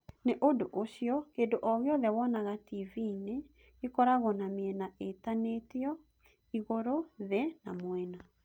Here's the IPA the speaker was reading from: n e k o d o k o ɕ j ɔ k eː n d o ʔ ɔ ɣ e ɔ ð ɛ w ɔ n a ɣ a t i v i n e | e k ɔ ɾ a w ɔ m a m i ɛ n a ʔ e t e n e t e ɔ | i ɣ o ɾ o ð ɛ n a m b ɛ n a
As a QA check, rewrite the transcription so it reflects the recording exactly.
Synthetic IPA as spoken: n e ʔ o d o ʔ o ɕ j ɔ k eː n d o ʔ ɔ ɣ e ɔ ð ɛ w ɔ n a ɣ a t i v i n e | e k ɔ ɾ a ɣ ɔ n a m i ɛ n a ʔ e t a n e t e ɔ | i ɣ o ɾ o ð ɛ n a m w ɛ n a